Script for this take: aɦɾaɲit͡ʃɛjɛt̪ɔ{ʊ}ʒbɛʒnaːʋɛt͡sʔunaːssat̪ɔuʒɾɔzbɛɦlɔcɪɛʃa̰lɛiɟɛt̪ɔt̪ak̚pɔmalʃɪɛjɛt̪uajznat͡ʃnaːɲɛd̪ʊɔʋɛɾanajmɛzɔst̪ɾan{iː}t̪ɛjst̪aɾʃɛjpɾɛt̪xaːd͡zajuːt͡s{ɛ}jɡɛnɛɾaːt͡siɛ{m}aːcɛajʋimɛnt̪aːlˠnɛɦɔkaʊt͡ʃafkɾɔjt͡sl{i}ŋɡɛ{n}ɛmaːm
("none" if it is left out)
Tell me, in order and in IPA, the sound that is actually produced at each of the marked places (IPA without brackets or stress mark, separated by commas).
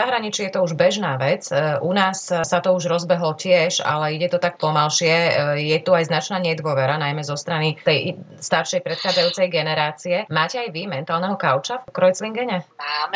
u, i, ɛ, m, i, ɲ